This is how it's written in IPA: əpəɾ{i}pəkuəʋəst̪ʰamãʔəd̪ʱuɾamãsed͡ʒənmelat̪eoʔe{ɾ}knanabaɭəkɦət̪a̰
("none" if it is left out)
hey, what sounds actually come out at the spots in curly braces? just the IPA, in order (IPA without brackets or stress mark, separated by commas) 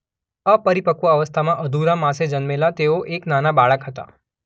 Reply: i, none